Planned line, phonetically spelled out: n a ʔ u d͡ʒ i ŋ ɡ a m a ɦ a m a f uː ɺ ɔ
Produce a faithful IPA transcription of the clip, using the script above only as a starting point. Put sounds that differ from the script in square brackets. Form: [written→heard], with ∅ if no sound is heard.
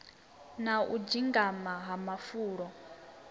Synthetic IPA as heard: n a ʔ u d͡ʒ i ŋ ɡ a m a ɦ a m a f uː ɺ ɔ

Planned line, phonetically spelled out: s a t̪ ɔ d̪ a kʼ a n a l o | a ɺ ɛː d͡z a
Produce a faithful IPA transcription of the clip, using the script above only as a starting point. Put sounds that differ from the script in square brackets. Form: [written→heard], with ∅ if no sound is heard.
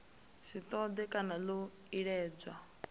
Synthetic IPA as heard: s [a→i] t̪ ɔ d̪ [a→ɛ] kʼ a n a l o | [a→i] ɺ ɛː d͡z a

